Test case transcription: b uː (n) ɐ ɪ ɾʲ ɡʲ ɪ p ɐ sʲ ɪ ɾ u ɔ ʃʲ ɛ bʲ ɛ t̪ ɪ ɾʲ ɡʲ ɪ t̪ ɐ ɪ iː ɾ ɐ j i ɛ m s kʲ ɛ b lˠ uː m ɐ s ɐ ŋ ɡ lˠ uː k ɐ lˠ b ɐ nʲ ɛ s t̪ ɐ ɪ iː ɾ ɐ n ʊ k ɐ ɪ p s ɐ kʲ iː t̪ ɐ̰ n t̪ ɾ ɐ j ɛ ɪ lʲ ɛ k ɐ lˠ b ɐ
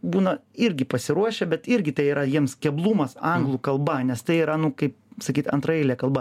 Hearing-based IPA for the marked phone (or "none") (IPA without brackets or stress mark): n